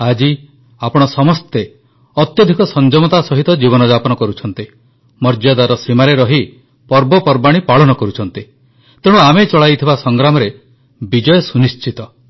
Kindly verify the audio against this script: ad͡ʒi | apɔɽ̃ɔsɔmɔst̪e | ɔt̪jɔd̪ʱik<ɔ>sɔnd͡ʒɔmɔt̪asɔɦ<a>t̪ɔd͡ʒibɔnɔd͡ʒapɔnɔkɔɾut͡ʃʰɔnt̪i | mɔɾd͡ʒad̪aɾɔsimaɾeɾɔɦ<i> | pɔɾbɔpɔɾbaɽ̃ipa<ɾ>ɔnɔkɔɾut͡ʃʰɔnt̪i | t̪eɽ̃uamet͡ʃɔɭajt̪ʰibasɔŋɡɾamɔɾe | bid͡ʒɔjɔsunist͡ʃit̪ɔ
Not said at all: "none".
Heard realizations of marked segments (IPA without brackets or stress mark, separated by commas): ɔ, i, i, ɭ